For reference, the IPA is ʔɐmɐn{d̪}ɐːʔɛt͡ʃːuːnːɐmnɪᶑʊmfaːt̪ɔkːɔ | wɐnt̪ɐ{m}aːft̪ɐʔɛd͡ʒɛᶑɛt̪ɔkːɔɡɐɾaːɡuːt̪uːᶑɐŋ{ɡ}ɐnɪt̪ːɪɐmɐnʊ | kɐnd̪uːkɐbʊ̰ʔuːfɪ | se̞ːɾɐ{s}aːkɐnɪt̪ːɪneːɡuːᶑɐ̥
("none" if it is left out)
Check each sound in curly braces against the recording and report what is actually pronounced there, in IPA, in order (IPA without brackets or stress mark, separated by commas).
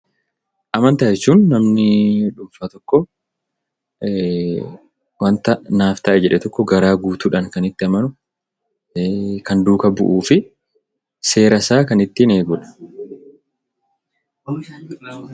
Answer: t̪, n, k, s